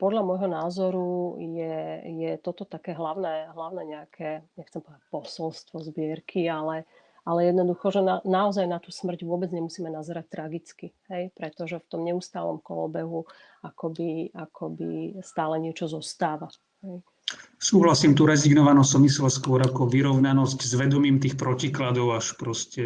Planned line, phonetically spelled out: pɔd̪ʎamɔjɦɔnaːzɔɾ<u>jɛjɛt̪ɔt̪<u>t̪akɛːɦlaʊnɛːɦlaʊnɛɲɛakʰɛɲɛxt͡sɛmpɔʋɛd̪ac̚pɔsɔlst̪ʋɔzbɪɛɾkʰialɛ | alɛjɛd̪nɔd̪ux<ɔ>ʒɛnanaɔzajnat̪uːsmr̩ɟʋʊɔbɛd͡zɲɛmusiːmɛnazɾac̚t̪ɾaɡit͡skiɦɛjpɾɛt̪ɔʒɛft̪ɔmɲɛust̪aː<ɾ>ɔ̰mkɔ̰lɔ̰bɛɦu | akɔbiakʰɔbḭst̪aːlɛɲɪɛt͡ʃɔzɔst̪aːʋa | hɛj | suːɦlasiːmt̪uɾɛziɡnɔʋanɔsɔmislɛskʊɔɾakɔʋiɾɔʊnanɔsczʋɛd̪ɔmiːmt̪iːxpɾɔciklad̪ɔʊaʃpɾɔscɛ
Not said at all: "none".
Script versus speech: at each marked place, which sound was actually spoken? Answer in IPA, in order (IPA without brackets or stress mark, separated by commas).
u, ɔ, ɔ, l